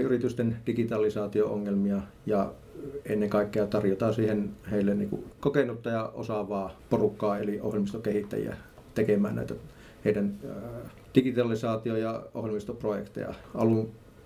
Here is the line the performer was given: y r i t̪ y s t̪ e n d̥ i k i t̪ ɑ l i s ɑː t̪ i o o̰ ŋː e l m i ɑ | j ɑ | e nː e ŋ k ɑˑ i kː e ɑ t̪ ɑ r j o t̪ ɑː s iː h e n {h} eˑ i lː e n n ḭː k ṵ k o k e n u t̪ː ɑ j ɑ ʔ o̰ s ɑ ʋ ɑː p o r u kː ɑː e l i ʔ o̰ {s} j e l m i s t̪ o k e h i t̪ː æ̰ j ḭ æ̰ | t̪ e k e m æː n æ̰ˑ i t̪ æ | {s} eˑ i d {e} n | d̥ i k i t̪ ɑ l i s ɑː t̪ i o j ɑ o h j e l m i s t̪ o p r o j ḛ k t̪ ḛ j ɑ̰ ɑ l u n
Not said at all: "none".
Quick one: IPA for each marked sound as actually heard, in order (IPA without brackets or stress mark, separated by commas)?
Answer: h, h, h, æ